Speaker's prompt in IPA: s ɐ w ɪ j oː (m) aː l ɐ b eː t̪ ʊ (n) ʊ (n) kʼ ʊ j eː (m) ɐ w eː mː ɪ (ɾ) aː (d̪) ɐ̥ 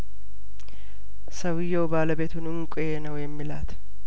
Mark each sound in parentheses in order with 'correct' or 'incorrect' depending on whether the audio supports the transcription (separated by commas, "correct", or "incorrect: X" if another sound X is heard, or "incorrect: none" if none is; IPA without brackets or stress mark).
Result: incorrect: b, correct, incorrect: ŋ, incorrect: n, incorrect: l, incorrect: t̪